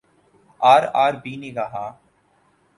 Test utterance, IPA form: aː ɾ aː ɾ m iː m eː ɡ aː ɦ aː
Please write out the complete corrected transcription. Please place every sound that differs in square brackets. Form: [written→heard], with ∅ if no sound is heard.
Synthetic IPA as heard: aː ɾ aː ɾ [m→b] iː [m→n] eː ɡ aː ɦ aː